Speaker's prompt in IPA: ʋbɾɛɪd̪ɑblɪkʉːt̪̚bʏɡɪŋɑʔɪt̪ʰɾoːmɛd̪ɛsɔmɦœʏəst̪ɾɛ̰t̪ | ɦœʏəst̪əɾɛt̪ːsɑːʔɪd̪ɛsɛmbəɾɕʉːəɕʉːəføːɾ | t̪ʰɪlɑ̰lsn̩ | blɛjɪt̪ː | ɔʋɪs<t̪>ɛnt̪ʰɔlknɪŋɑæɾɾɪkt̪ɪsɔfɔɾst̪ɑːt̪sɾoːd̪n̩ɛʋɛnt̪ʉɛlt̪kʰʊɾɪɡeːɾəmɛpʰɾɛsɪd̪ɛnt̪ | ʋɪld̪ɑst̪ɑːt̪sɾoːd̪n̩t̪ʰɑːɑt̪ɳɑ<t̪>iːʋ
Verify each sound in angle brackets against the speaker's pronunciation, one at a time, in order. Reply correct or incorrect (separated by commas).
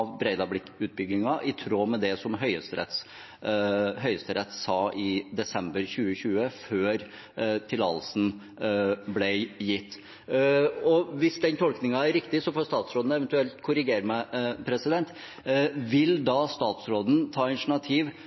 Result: incorrect, incorrect